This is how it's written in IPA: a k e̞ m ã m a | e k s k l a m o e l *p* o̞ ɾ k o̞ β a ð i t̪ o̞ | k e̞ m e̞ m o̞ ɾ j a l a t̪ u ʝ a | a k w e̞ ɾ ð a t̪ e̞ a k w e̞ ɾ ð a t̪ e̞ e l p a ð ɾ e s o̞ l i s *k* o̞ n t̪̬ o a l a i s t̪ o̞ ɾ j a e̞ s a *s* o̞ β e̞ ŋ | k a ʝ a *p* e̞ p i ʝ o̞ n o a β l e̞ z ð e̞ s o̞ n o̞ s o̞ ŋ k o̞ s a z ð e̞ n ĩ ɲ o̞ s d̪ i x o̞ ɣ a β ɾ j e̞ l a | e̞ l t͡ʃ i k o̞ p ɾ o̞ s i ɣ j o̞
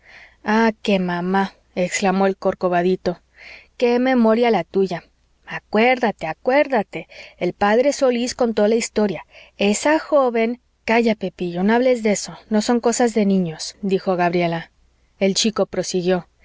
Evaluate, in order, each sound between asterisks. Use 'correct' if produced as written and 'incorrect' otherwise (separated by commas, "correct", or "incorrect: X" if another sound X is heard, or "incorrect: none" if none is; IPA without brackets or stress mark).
incorrect: k, correct, incorrect: x, correct